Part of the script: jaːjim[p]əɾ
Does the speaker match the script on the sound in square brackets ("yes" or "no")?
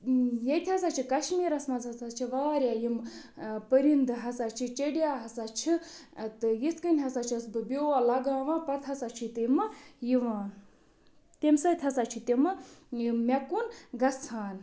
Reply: yes